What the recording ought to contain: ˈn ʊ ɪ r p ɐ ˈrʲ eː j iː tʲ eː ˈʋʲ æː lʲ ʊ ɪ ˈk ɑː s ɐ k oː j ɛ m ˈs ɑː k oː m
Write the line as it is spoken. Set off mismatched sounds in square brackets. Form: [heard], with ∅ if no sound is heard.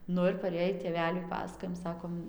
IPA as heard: ˈn ʊ ɪ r p ɐ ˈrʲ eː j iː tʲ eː ˈʋʲ æː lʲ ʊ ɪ [ˈp] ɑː s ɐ k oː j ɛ m ˈs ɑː k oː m